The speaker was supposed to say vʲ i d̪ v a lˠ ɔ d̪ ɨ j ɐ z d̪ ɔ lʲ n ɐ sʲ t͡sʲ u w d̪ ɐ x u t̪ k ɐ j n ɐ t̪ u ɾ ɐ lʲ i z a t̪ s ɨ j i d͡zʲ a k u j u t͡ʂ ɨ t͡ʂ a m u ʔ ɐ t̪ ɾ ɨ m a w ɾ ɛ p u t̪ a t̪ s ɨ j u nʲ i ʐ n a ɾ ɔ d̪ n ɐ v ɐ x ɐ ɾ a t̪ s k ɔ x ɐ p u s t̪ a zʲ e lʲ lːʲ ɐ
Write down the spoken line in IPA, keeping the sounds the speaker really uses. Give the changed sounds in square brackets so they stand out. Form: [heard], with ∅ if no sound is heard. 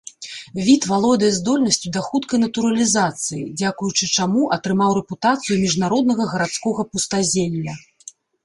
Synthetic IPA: vʲ i [t̪] v a lˠ ɔ d̪ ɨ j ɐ z d̪ ɔ lʲ n ɐ sʲ t͡sʲ u [∅] d̪ ɐ x u t̪ k ɐ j n ɐ t̪ u ɾ ɐ lʲ i z a t̪ s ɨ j i d͡zʲ a k u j u t͡ʂ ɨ t͡ʂ a m u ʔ ɐ t̪ ɾ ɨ m a w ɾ ɛ p u t̪ a t̪ s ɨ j u [mʲ] i ʐ n a ɾ ɔ d̪ n ɐ [ɣ] ɐ [ɣ] ɐ ɾ a t̪ s k ɔ [ɣ] ɐ p u s t̪ a zʲ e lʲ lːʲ ɐ